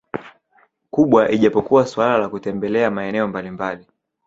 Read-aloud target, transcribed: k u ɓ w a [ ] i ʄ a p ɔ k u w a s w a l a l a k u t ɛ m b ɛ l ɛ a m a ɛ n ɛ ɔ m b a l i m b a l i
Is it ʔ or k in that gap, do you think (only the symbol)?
ʔ